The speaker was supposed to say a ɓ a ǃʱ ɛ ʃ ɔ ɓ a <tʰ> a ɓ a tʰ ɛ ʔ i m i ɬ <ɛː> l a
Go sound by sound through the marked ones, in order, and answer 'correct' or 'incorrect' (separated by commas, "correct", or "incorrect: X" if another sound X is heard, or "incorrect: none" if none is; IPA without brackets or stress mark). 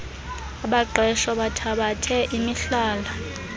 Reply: correct, incorrect: aː